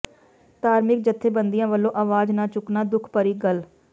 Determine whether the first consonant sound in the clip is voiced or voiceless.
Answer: voiceless